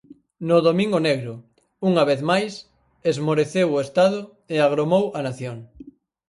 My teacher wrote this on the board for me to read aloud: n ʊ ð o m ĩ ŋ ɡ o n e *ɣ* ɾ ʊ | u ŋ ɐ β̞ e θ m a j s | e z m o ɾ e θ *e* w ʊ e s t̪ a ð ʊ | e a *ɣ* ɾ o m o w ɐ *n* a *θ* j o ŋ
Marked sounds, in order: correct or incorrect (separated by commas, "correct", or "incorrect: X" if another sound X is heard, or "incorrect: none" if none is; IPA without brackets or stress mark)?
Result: correct, correct, correct, correct, correct